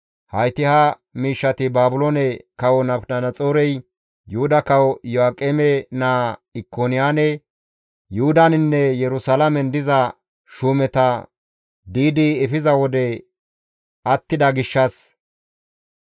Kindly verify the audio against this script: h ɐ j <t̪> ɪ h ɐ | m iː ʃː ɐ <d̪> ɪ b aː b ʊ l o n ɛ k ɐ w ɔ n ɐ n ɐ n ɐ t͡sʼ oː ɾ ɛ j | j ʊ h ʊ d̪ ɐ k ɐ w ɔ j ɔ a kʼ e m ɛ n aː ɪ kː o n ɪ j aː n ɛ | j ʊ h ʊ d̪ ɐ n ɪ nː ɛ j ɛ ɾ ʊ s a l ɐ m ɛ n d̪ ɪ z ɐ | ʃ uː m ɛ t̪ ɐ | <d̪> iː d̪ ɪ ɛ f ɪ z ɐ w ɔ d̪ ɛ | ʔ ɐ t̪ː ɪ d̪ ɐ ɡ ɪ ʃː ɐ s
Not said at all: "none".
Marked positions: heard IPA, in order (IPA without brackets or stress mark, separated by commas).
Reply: t̪, t̪, d̪